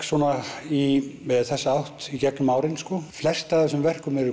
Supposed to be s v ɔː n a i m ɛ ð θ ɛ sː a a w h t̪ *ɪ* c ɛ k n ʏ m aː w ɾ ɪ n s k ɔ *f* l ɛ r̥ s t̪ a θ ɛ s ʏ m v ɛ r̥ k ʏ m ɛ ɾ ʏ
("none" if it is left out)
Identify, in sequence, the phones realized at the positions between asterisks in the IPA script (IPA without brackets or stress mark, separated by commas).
i, f